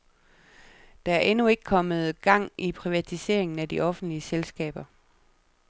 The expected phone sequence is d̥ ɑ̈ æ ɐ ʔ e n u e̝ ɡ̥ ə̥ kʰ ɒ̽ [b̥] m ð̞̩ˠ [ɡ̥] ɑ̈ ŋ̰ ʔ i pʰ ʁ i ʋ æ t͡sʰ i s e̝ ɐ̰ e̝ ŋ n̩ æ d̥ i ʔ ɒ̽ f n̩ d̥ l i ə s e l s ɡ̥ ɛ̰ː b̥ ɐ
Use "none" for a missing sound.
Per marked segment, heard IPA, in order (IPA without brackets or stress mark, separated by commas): none, ɡ̥